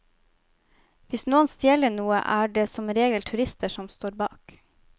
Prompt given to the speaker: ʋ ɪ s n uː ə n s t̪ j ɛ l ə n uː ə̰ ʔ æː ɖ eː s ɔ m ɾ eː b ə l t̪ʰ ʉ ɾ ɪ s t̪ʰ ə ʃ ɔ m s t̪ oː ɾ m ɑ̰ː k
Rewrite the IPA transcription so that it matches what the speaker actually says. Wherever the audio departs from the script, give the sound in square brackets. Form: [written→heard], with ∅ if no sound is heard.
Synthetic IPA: ʋ ɪ s n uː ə n s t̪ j ɛ l ə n uː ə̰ ʔ æː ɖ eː s ɔ m ɾ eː [b→ɡ] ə l t̪ʰ ʉ ɾ ɪ s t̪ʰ ə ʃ ɔ m s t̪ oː ɾ [m→b] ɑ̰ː k